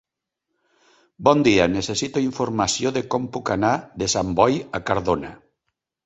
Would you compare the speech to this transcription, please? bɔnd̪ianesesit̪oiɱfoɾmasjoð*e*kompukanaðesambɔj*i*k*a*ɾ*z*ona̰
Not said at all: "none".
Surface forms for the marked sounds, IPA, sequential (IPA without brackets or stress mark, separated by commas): e, a, a, ð